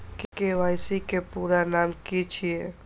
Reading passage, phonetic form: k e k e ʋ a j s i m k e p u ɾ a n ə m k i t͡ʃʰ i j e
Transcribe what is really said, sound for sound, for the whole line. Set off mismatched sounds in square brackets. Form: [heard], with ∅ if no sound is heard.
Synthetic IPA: k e k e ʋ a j s i [∅] k e p u ɾ a n [a] m k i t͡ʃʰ i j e